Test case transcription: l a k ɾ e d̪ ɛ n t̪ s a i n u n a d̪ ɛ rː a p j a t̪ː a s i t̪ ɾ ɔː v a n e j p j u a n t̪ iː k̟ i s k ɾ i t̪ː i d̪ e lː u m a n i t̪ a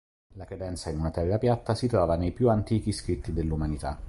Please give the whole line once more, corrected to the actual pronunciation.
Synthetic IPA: l a k ɾ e d̪ ɛ n t̪ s a i n u n a t̪ ɛ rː a p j a t̪ː a s i t̪ ɾ ɔː v a n e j p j u a n t̪ iː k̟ i s k ɾ i t̪ː i d̪ e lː u m a n i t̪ a